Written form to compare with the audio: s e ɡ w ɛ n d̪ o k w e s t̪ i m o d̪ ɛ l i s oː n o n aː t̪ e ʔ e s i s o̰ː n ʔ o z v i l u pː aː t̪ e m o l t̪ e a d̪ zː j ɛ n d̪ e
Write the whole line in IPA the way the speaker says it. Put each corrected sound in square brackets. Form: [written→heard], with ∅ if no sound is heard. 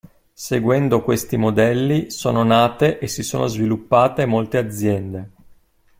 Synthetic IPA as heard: s e ɡ w ɛ n d̪ o k w e s t̪ i m o d̪ ɛ [l→lː] i s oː n o n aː t̪ e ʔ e s i s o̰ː n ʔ o z v i l u pː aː t̪ e m o l t̪ e a d̪ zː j ɛ n d̪ e